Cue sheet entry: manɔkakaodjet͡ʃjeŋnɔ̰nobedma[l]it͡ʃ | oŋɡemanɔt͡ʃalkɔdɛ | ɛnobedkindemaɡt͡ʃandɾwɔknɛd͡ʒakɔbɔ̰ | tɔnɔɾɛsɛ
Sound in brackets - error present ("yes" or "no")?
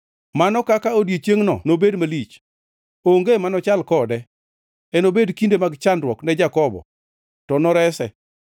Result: no